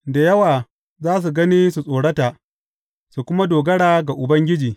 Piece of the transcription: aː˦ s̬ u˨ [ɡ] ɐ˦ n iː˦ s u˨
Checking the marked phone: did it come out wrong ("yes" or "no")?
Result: no